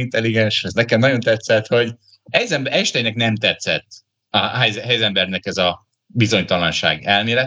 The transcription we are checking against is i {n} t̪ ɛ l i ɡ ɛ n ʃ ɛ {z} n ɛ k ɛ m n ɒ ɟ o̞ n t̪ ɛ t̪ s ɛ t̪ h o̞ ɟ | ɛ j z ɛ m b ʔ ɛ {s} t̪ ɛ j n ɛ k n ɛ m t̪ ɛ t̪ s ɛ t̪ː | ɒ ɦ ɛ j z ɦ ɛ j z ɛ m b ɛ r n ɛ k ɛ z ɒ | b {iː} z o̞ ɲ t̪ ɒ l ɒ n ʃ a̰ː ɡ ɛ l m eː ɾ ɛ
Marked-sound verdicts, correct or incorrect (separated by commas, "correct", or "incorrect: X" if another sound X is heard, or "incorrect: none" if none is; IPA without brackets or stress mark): correct, correct, incorrect: ʃ, incorrect: i